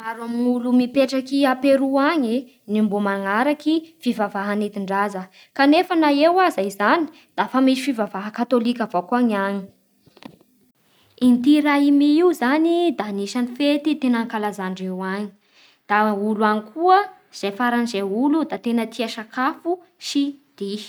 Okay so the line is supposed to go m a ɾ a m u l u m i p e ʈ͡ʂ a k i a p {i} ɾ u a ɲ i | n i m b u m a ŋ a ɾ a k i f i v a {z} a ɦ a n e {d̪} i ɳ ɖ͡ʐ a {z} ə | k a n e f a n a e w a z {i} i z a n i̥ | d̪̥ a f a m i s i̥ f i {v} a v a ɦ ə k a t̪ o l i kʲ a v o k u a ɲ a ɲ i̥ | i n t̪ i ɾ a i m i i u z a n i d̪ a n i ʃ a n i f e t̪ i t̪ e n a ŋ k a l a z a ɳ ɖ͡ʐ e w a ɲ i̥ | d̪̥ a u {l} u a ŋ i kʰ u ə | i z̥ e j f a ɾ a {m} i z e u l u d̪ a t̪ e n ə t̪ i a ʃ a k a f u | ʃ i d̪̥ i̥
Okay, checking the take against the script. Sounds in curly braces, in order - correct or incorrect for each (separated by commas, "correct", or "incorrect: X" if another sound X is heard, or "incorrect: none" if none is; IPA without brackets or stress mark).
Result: incorrect: e, incorrect: v, incorrect: t̪, correct, incorrect: a, correct, correct, incorrect: n